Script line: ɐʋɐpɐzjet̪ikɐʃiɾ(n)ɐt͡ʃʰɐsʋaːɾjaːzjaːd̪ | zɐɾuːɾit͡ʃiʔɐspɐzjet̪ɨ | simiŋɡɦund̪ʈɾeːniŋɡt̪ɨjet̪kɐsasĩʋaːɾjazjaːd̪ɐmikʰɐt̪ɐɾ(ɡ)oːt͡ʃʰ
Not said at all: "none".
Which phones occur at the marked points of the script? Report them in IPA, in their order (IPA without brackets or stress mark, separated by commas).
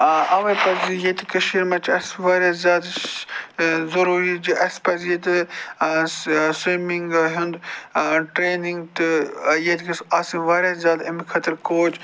m, k